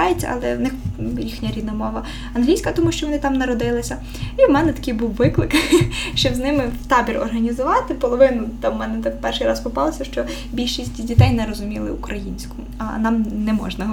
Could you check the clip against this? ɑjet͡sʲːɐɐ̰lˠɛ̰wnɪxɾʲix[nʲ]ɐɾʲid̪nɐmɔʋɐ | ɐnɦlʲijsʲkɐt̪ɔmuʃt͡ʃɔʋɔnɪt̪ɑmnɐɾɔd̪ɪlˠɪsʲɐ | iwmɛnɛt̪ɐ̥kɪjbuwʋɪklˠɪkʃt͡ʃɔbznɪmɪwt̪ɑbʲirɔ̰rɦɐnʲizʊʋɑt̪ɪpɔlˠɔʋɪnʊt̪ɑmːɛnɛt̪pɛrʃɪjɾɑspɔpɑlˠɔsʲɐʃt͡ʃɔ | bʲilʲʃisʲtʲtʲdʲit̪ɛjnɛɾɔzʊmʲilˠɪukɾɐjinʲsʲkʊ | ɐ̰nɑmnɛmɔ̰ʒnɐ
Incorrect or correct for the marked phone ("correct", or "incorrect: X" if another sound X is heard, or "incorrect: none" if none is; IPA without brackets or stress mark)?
correct